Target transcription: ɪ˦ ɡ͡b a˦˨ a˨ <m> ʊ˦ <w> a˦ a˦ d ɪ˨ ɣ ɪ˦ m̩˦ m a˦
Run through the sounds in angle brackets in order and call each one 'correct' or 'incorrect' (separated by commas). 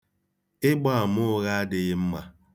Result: correct, incorrect